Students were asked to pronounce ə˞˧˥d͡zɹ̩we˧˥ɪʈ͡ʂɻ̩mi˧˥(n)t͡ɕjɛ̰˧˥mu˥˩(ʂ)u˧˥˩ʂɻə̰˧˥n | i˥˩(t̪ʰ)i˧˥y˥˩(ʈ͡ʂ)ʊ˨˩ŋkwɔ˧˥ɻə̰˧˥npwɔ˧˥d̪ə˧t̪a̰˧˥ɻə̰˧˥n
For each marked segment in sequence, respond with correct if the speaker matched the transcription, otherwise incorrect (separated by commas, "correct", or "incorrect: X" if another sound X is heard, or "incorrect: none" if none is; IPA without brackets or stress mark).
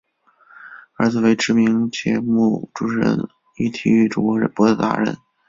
incorrect: ŋ, incorrect: ʈ͡ʂ, correct, correct